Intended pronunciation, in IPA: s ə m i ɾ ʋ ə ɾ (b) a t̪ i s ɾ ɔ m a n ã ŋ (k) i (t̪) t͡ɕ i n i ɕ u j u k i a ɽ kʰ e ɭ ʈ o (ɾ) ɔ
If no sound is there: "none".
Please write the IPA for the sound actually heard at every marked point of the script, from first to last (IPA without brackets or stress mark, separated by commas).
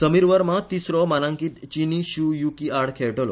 m, k, t̪, l